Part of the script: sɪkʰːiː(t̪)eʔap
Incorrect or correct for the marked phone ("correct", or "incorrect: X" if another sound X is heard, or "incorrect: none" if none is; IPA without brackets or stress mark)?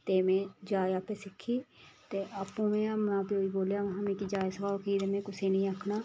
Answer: correct